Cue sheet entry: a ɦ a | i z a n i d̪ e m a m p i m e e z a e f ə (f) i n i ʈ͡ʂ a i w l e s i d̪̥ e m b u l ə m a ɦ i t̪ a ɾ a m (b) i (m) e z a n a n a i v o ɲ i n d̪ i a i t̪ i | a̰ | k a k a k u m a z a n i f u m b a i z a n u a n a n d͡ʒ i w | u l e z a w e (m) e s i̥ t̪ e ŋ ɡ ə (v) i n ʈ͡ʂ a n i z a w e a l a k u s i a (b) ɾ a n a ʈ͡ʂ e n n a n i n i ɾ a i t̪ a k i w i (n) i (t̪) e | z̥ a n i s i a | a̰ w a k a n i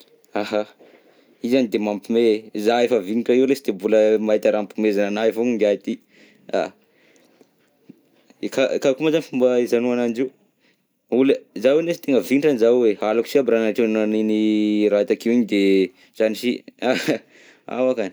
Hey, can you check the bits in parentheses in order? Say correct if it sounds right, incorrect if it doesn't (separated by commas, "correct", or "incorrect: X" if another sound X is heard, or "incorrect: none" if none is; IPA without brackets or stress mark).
incorrect: v, incorrect: p, correct, incorrect: n, correct, correct, incorrect: ɲ, incorrect: d̪